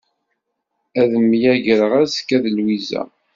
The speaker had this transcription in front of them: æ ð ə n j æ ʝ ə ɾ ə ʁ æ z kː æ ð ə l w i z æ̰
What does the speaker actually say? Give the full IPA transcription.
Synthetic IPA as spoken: æ ð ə m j æ ʝ ə ɾ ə ʁ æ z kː æ ð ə l w i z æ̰